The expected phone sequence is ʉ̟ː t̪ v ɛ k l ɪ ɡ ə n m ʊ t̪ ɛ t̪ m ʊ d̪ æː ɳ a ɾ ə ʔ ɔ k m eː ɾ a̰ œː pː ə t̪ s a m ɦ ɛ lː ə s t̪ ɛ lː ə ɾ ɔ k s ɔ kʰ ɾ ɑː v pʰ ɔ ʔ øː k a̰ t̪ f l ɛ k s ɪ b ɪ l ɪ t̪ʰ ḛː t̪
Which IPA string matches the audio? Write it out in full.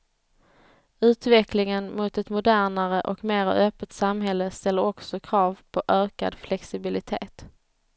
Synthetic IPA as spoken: ʉ̟ː t̪ v ɛ k l ɪ ŋ ə n m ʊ t̪ ɛ t̪ m ʊ d̪ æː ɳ a ɾ ə ʔ ɔ k m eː ɾ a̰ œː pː ə t̪ s a m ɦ ɛ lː ə s t̪ ɛ lː ə ɾ ɔ k s ɔ kʰ ɾ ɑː v pʰ ɔ ʔ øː k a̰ d̪ f l ɛ k s ɪ b ɪ l ɪ t̪ʰ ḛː t̪